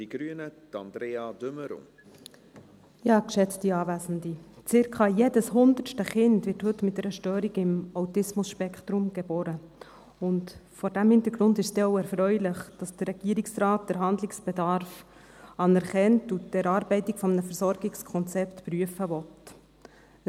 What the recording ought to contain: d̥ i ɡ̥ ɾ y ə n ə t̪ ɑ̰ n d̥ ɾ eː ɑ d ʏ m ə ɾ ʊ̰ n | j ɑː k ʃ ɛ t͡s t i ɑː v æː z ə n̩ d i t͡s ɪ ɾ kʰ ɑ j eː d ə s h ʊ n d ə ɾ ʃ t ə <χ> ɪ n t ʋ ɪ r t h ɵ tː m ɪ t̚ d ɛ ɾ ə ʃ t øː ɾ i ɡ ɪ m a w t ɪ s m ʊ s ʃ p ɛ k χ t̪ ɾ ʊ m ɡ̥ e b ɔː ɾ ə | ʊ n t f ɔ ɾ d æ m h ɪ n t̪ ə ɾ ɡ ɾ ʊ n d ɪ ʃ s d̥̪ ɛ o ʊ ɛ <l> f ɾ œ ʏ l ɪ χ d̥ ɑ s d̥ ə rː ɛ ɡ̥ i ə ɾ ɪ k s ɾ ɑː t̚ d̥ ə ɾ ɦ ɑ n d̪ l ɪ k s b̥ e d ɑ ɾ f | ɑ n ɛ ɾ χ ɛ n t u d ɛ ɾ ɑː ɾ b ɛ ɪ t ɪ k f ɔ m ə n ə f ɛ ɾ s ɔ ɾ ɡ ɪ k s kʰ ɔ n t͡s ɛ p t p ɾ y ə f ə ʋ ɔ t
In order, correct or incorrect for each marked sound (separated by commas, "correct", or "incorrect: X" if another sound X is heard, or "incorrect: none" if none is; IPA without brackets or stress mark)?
correct, incorrect: ɾ